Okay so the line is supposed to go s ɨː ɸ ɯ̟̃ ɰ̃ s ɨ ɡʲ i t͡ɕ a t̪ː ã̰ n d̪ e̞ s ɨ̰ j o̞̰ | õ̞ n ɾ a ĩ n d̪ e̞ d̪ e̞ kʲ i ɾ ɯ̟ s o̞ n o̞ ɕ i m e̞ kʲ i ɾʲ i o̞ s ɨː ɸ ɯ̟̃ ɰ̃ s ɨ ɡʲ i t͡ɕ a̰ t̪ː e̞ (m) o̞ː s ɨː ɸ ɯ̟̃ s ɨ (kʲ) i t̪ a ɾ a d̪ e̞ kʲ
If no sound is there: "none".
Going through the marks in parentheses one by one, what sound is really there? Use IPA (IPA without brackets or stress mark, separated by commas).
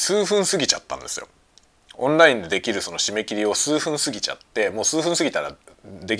m, ɡʲ